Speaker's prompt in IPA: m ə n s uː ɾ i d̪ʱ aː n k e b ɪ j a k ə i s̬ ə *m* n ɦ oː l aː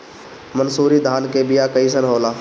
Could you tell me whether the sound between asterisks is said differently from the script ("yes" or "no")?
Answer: yes